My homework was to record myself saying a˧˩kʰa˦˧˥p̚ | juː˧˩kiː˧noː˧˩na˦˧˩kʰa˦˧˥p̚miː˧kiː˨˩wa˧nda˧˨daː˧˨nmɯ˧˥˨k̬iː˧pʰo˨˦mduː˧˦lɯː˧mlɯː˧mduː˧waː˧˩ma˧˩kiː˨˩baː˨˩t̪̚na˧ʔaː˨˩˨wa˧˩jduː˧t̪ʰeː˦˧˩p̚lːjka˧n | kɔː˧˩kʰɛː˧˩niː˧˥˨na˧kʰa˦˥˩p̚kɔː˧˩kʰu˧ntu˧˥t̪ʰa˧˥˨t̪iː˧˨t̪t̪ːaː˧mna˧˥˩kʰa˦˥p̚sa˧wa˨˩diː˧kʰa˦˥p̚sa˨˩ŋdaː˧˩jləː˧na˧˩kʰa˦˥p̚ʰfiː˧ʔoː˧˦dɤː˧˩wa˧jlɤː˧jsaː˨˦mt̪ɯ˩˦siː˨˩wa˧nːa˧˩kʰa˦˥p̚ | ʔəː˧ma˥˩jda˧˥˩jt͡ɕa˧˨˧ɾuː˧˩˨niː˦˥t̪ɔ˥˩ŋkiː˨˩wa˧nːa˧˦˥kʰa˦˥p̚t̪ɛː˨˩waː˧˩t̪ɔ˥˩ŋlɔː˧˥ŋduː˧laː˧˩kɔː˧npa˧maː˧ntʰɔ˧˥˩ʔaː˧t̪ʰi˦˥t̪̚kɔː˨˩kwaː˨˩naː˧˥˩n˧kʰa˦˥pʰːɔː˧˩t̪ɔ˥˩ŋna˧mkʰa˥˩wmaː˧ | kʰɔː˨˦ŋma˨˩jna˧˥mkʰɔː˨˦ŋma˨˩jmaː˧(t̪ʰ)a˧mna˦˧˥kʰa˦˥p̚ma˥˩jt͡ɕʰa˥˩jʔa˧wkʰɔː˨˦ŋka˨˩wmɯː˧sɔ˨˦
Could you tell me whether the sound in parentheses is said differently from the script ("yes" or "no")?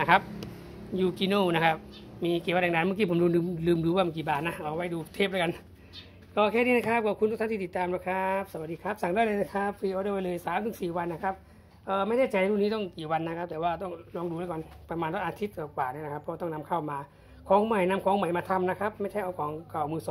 no